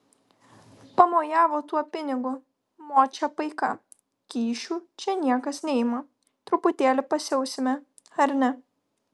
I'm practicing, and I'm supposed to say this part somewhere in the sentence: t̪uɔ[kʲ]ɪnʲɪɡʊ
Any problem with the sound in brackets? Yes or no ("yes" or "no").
yes